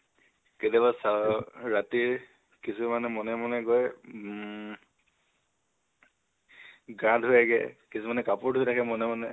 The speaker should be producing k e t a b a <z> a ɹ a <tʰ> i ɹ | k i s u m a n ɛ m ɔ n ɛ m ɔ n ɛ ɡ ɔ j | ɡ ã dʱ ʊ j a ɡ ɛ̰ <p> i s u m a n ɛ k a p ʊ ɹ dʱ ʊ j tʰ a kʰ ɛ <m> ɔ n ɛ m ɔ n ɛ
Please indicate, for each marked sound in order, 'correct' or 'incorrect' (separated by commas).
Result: incorrect, incorrect, incorrect, correct